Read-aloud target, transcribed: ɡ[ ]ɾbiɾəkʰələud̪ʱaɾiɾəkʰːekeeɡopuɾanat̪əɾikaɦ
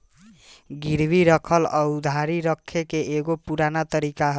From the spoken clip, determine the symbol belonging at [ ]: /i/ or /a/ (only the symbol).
i